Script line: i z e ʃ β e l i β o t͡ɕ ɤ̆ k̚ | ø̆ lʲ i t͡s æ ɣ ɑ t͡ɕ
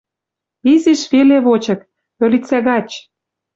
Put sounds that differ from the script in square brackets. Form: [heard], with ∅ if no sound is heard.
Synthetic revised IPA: i z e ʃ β e l [e] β o t͡ɕ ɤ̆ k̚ | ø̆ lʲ i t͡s æ ɣ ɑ t͡ɕ